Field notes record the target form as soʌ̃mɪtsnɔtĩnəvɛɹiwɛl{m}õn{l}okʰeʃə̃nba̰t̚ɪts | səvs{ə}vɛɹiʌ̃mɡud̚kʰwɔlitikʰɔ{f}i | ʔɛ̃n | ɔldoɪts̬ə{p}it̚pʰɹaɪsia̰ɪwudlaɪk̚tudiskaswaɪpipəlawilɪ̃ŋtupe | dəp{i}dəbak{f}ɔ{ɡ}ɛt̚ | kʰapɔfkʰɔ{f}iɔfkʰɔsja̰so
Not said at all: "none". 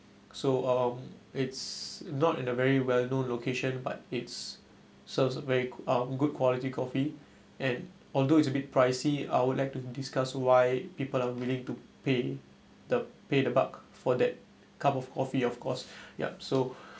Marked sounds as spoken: n, l, ə, f, b, e, f, d, f

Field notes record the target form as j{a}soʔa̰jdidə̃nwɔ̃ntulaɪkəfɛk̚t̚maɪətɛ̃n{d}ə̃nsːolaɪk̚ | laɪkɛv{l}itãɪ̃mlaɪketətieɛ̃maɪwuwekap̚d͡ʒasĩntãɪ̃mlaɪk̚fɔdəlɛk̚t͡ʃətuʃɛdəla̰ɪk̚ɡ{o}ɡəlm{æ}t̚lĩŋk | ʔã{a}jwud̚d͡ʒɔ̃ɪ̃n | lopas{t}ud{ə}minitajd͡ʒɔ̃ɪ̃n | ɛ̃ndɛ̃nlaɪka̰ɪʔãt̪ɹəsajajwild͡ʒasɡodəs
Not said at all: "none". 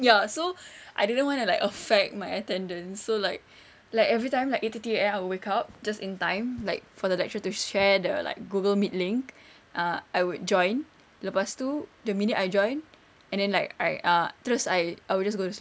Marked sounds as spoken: a, d, ɹ, u, i, a, t, ə

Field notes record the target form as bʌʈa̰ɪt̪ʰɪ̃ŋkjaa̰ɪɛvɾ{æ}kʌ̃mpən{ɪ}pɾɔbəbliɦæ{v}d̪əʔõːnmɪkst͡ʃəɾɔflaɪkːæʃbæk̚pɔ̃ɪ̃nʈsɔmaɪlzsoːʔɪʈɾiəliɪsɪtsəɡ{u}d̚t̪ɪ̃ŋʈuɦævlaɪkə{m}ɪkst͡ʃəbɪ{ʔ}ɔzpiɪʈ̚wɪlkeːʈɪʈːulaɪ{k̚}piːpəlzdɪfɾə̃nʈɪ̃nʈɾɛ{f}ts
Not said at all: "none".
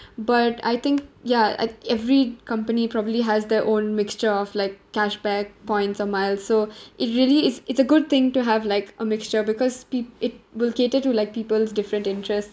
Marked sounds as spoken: i, i, z, ʊ, m, k, k̚, s

